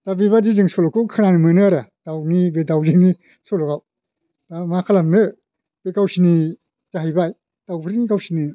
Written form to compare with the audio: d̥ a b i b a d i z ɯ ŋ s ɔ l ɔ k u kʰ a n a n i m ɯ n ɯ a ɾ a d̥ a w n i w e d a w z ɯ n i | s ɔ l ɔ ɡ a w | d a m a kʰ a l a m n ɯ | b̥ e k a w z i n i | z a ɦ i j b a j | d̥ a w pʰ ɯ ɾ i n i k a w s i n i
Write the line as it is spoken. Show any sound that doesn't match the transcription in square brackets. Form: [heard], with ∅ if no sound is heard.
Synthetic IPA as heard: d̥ a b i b a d i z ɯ ŋ s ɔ l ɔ k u kʰ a n a n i m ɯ n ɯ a ɾ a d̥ a w n i [b] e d a w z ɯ n i | s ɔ l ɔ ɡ a w | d a m a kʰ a l a m n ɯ | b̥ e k a w [s] i n i | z a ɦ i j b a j | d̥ a w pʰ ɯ ɾ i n i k a w s i n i